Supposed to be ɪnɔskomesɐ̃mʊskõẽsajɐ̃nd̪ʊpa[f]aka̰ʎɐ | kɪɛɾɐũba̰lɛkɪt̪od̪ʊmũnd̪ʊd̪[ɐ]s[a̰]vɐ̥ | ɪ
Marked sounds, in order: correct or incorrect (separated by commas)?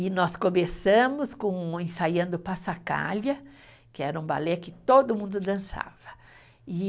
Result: incorrect, incorrect, correct